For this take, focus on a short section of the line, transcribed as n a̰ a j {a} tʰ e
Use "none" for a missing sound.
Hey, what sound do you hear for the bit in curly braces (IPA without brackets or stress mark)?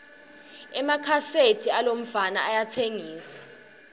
a